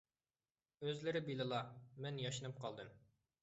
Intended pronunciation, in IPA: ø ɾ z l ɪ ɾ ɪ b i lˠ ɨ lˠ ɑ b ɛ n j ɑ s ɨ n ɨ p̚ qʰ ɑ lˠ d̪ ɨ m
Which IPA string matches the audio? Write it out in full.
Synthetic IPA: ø z l ɪ ɾ ɪ b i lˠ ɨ lˠ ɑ m ɛ n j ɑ ʃ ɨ n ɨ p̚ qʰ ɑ lˠ d̪ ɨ m